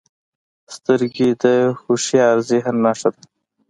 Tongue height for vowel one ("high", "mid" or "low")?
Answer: mid